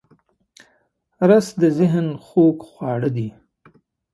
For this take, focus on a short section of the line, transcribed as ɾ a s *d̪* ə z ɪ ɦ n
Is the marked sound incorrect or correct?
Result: correct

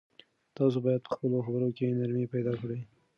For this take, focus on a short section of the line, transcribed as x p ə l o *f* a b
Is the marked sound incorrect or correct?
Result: incorrect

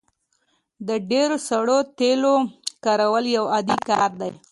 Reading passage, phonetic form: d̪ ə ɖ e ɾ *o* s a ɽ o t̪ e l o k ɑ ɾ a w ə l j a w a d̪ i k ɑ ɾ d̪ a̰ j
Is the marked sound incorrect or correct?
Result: correct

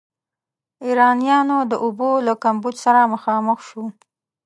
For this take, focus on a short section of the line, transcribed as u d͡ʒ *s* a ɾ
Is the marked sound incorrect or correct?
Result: correct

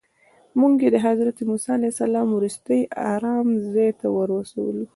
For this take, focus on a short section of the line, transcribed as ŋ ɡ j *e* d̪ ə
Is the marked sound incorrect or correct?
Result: correct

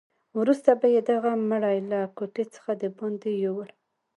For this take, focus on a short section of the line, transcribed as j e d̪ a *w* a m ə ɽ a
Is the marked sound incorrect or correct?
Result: incorrect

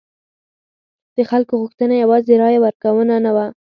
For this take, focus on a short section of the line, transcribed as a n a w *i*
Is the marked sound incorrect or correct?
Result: incorrect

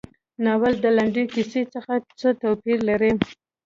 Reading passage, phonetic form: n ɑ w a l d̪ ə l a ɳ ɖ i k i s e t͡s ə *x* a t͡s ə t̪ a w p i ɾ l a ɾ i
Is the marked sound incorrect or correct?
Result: correct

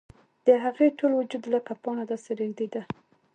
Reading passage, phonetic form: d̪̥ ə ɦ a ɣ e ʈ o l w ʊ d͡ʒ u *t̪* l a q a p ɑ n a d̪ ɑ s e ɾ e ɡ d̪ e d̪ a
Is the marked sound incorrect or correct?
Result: incorrect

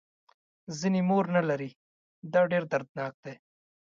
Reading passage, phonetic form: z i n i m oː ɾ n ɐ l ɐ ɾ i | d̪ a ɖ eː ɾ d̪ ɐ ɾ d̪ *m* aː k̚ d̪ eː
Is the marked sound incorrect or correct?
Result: incorrect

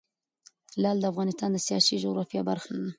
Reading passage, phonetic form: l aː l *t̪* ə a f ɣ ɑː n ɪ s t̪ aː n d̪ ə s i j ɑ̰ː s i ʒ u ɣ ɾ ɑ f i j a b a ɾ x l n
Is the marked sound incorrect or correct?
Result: incorrect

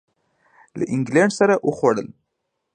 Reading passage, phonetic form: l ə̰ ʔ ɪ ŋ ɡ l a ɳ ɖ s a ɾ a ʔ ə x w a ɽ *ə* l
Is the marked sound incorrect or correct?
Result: correct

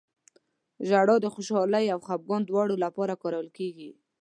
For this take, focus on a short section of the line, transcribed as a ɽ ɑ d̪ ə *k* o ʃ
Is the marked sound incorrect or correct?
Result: incorrect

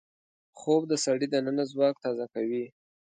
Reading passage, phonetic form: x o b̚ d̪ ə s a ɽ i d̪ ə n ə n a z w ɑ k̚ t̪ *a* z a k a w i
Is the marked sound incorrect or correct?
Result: incorrect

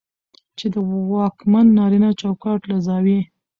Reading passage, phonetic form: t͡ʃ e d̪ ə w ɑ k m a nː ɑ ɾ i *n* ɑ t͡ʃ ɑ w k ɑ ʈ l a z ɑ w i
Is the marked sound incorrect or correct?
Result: correct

